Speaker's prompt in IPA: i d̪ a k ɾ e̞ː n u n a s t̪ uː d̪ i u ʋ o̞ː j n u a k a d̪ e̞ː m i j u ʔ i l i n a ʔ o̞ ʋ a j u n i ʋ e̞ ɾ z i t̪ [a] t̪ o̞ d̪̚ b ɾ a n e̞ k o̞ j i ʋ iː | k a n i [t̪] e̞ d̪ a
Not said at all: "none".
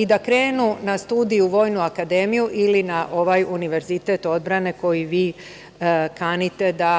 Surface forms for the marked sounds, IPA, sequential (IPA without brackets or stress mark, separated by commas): e, t̪